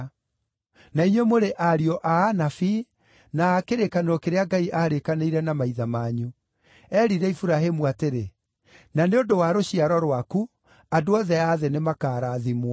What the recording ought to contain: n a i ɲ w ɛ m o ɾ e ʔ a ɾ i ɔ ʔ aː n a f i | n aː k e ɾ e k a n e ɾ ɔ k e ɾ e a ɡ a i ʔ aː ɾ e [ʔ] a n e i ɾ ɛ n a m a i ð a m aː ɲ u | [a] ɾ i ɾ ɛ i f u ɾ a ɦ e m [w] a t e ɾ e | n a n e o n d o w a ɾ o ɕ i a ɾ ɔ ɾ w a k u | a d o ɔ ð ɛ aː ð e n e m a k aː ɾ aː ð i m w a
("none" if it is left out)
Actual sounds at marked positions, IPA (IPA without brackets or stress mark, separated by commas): k, ɛ, u